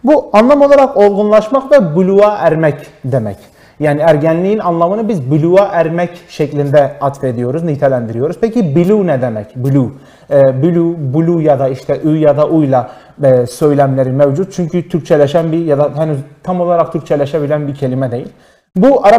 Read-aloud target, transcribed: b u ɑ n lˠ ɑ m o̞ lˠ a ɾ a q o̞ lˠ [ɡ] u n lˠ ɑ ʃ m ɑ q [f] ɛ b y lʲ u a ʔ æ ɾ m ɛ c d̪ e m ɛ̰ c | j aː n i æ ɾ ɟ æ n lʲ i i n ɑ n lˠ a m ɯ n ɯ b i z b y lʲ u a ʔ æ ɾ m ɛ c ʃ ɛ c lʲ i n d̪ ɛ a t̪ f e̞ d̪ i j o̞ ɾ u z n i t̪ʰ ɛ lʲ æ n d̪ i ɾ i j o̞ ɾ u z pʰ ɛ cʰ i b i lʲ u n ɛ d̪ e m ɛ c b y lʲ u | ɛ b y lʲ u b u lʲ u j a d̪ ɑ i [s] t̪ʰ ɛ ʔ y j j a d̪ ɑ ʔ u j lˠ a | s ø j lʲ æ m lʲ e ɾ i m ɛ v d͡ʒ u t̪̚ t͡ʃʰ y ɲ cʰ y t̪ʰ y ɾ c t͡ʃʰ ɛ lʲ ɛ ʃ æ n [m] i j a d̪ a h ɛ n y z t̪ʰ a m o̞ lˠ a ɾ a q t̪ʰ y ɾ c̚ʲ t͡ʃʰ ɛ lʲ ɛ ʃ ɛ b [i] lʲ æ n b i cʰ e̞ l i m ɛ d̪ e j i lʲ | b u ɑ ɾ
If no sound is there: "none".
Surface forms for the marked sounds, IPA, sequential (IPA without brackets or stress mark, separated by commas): ɡ, v, ʃ, b, i